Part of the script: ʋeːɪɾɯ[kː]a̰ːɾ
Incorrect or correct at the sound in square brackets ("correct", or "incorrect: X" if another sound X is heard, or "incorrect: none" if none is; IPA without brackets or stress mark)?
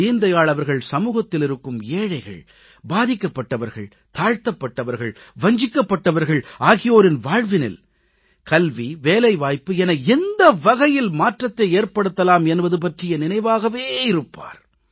incorrect: pː